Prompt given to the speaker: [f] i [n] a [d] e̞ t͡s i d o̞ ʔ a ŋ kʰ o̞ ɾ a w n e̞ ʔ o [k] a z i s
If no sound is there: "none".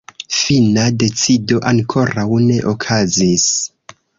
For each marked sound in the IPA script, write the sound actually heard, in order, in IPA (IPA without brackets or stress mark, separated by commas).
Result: f, n, d, kʰ